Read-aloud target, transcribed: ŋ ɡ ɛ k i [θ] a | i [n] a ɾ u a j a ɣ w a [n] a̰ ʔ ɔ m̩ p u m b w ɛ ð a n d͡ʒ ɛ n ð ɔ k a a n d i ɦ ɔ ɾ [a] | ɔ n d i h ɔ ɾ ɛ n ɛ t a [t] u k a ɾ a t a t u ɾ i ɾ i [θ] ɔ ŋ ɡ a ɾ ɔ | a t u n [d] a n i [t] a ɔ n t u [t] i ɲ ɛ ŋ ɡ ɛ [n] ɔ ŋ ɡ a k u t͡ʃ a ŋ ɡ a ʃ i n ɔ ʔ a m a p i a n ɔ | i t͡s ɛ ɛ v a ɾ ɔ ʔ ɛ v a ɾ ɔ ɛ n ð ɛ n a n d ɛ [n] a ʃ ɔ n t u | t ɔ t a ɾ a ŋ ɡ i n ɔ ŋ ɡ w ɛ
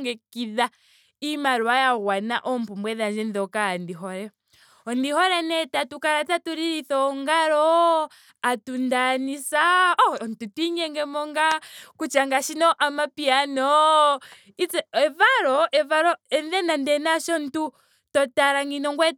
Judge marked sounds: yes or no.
no, no, yes, no, yes, yes, yes, no, yes, no, yes

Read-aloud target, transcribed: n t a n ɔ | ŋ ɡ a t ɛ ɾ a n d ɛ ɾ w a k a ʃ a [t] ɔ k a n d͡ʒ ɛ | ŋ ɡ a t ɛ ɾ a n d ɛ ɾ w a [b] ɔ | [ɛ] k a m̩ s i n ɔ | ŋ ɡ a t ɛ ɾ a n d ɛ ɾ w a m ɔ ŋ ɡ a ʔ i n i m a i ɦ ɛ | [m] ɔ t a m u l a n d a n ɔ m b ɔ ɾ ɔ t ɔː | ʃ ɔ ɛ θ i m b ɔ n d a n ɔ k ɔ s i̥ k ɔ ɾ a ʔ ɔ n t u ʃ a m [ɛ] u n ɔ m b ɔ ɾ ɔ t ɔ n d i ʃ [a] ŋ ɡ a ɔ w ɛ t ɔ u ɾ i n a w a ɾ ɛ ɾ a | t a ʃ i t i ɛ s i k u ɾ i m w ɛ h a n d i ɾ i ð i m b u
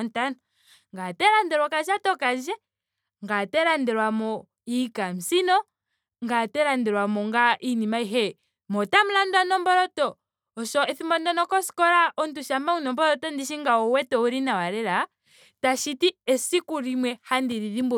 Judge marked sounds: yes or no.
yes, no, no, yes, no, no

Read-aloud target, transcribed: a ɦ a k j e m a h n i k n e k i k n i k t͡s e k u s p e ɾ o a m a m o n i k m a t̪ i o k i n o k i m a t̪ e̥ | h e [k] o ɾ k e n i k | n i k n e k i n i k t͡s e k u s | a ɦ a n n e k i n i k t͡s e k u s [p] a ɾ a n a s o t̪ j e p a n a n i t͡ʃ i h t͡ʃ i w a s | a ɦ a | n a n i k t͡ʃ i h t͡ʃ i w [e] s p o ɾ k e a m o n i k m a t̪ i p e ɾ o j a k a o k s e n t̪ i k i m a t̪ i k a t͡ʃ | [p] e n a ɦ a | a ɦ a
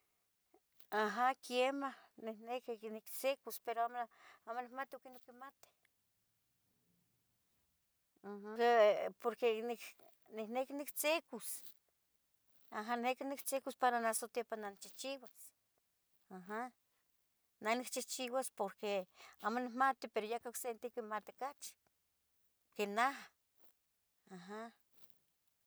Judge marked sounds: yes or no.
no, yes, no, no

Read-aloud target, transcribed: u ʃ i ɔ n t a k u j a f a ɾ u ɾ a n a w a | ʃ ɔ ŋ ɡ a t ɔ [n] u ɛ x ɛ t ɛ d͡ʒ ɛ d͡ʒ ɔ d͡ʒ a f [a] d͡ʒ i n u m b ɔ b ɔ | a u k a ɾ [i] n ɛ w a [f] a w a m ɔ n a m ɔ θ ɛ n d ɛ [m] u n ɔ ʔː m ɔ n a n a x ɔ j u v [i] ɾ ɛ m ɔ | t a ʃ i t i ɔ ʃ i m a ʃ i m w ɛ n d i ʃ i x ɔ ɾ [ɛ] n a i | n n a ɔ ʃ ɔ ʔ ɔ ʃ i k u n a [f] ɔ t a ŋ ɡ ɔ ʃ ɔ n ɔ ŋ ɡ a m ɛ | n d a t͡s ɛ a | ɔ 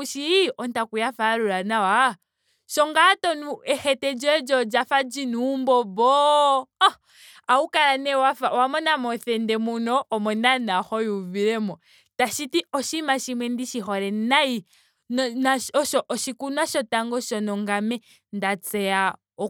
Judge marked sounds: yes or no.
yes, yes, no, yes, yes, yes, yes, no

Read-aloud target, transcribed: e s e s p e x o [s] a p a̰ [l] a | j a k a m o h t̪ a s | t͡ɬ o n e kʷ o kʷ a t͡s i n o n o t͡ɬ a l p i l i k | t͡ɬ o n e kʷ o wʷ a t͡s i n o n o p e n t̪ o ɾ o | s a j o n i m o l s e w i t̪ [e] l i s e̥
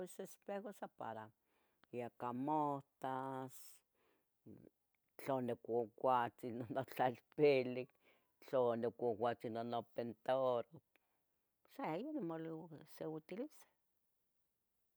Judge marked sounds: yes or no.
yes, no, no

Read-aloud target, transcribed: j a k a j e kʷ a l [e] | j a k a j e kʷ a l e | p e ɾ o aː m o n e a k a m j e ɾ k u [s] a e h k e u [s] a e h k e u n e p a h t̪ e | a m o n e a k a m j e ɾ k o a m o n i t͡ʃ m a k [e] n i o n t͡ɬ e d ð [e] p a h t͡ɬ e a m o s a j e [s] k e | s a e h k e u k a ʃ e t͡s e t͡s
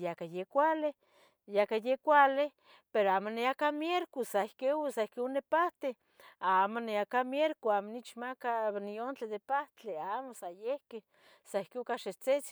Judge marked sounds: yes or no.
yes, yes, yes, no, yes, no

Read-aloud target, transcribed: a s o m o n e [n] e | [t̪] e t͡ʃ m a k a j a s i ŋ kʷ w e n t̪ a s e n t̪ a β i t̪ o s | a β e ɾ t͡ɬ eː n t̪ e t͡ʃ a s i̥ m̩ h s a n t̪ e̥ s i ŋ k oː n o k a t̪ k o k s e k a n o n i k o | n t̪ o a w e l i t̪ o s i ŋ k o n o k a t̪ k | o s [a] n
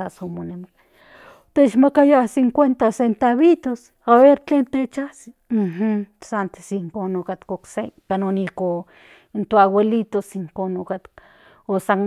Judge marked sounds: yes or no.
no, yes, yes

